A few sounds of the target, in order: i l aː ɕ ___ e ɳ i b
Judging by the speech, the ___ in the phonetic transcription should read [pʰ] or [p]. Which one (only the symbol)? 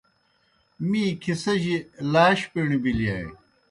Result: p